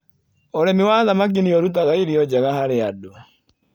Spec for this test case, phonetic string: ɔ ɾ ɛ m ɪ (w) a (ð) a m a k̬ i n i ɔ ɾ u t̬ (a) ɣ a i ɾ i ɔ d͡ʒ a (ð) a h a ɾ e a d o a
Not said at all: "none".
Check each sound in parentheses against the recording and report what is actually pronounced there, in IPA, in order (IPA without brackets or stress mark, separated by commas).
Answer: w, ð, a, ɣ